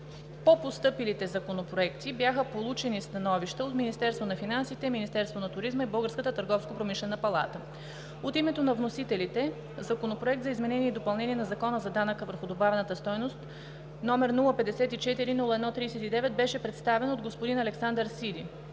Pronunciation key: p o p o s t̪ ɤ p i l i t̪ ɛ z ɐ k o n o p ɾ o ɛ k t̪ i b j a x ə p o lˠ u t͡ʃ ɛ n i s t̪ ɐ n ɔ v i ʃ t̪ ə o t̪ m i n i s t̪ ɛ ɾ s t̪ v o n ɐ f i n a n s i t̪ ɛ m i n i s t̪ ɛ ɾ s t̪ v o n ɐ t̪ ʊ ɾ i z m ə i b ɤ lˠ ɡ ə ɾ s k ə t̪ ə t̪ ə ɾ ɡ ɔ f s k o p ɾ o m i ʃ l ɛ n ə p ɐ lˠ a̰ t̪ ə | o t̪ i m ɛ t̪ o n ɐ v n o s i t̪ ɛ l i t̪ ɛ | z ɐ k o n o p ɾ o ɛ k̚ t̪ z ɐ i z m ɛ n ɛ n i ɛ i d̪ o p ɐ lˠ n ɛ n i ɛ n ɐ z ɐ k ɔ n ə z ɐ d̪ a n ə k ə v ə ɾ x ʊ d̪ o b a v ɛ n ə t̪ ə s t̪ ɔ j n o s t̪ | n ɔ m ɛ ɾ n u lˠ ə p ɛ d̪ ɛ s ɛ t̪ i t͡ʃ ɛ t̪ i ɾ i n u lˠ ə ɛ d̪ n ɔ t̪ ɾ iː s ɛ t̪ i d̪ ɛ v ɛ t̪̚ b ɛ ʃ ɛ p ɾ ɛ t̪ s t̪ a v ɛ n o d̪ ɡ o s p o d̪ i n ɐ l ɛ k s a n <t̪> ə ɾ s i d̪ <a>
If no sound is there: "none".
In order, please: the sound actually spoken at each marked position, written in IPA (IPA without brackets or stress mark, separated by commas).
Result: d̪, i